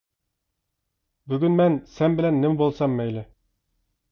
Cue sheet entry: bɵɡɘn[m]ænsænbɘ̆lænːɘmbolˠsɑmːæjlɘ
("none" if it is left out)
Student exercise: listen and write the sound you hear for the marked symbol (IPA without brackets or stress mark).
m